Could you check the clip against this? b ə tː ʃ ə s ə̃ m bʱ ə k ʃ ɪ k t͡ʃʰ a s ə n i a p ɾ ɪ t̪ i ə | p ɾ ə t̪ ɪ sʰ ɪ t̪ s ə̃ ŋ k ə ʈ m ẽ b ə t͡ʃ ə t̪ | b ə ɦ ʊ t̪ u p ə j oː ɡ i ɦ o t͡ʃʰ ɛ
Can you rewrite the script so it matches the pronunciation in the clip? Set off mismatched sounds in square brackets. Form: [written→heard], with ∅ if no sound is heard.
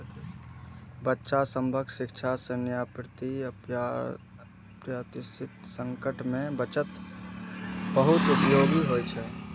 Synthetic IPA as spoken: b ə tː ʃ [ə→a] s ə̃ m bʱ ə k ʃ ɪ k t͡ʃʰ a s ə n [i→j] a p ɾ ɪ t̪ i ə | p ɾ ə t̪ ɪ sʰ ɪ t̪ s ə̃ ŋ k ə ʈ m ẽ b ə t͡ʃ ə t̪ | b ə ɦ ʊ t̪ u p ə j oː ɡ i ɦ o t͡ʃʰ ɛ